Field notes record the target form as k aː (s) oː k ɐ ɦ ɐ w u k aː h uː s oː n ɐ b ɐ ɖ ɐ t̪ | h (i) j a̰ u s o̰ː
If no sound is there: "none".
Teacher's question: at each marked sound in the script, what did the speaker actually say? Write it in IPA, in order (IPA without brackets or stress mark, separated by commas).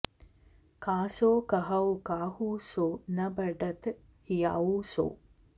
s, i